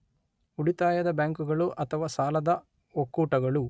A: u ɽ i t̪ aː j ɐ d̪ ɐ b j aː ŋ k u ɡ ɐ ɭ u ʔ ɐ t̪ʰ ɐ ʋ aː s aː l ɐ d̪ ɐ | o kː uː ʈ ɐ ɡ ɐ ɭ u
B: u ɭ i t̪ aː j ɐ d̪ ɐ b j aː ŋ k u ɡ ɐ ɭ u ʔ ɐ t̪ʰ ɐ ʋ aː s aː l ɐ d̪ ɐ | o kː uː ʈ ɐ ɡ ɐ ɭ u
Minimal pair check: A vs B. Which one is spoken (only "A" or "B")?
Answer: A